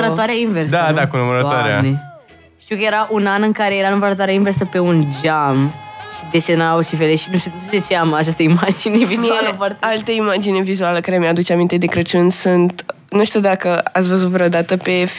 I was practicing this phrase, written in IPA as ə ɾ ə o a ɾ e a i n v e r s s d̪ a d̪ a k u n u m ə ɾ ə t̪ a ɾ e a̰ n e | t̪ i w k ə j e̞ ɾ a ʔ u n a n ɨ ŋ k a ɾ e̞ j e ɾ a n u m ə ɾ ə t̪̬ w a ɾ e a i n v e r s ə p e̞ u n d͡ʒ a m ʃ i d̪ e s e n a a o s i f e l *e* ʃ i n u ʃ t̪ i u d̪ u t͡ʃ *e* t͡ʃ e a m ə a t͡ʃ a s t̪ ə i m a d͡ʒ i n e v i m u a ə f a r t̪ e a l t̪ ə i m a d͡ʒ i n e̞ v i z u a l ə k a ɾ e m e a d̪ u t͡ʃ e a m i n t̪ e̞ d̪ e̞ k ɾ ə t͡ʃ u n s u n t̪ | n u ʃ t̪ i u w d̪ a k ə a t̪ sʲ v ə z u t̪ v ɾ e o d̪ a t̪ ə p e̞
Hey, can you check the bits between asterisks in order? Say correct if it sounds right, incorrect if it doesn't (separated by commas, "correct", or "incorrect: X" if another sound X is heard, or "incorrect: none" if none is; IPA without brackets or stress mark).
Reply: correct, correct